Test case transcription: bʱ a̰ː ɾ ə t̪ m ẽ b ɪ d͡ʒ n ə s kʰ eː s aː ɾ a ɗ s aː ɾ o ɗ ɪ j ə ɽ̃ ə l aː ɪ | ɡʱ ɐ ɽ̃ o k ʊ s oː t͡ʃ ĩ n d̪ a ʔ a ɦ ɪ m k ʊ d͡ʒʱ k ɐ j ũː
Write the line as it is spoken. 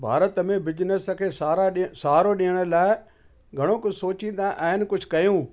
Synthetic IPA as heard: bʱ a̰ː ɾ ə t̪ m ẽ b ɪ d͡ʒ n ə s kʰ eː s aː ɾ a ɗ s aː ɾ o ɗ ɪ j ə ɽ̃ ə l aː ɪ | ɡʱ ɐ ɽ̃ o k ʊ s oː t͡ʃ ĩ n d̪ a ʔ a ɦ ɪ n k ʊ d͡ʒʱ k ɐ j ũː